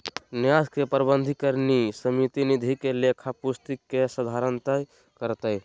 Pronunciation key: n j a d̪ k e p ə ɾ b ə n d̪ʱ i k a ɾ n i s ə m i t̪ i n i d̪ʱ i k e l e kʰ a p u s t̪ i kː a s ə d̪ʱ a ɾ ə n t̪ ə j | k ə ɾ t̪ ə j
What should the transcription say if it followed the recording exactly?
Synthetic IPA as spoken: n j a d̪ k e p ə ɾ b ə n d̪ʱ i k ə ɾ n i s ə m i t̪ i n i d̪ʱ i k e l e kʰ a p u s t̪ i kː e s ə d̪ʱ a ɾ ə n t̪ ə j | k ə ɾ t̪ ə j